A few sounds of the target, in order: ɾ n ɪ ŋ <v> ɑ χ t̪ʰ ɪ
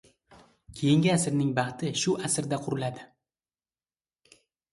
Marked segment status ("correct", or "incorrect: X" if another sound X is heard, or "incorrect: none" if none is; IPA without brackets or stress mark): incorrect: b